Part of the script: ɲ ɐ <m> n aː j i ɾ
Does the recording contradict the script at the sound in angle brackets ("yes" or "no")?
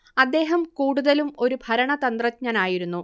yes